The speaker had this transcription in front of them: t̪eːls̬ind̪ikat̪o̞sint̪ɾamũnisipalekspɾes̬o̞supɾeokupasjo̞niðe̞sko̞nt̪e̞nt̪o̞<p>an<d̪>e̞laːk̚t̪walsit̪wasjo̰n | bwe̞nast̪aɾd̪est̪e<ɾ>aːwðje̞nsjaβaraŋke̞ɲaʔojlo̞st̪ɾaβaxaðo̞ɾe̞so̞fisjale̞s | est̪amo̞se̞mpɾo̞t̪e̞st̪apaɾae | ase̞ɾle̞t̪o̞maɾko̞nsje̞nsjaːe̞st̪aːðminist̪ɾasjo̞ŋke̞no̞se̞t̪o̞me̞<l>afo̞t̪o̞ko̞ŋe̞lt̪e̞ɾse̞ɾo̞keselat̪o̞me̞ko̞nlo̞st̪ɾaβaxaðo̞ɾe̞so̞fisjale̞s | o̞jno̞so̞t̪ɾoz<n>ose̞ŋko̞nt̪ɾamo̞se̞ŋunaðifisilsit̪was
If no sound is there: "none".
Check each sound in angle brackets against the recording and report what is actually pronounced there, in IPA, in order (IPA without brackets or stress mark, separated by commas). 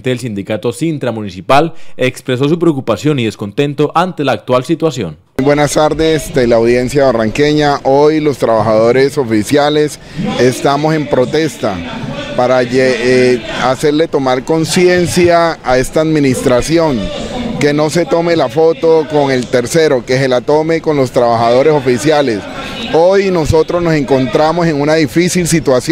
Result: ʔ, t̪, l, l, n